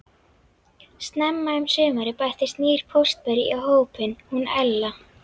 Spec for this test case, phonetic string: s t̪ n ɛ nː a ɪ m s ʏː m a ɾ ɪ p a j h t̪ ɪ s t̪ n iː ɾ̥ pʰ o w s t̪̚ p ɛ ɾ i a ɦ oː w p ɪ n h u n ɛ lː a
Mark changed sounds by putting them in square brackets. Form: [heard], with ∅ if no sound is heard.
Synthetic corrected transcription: s t̪ n ɛ [mː] a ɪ m s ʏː m a ɾ ɪ p a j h t̪ ɪ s t̪ n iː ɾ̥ pʰ o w s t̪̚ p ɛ ɾ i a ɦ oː w p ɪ n h u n ɛ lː a

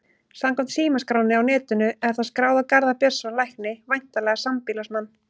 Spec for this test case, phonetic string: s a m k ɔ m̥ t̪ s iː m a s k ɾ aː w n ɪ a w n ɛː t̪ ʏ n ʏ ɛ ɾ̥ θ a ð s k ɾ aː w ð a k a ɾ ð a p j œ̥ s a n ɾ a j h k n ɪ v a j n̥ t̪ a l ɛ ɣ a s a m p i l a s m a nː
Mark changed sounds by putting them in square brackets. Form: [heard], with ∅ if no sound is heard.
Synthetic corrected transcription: s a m k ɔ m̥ t̪ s iː m a s k ɾ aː w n ɪ a w n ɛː t̪ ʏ n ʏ ɛ ɾ̥ θ a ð s k ɾ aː w ð a k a ɾ ð a p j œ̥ s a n [l] a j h k n ɪ v a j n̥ t̪ a l ɛ ɣ a s a m p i l a s m a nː

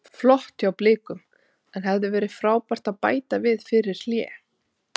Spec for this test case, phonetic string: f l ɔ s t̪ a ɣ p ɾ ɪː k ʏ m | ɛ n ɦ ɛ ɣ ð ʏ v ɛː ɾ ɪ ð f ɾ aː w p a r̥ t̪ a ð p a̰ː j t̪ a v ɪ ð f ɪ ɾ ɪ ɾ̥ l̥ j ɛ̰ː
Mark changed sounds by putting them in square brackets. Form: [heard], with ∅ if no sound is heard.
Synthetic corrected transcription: f l ɔ [h] t̪ a [w] p [l] ɪː k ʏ m | ɛ n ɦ ɛ [v] ð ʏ v ɛː ɾ ɪ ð f ɾ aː w p a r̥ t̪ a ð p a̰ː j t̪ a v ɪ ð f ɪ ɾ ɪ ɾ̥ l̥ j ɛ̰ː

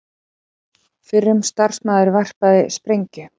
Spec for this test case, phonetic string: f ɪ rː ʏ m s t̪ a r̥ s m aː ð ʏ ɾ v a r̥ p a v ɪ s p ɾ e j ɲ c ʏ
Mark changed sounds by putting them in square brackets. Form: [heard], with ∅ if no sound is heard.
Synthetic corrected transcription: f ɪ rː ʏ m s t̪ a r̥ s m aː ð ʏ ɾ v a r̥ p a [ð] ɪ s p ɾ e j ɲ c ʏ

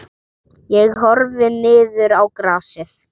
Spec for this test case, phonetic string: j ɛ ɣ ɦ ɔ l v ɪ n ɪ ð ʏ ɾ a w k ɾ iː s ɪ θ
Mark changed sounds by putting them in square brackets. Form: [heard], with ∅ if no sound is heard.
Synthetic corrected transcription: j ɛ ɣ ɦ ɔ [ɾ] v ɪ n [ɪː] ð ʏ ɾ a w k ɾ [aː] s ɪ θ

